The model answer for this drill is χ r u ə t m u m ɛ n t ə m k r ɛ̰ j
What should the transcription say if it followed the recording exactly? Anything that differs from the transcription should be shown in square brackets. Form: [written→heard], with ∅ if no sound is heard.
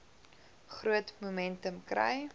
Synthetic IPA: χ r u ə t m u m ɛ n t ə m k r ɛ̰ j